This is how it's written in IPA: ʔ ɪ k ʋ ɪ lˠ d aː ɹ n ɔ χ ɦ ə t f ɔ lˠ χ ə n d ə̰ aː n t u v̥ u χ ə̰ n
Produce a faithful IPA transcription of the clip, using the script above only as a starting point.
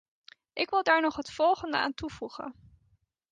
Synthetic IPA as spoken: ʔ ɪ k ʋ ɪ lˠ d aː ɹ n ɔ χ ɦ ə t f ɔ lˠ χ ə n d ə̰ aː n t u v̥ u χ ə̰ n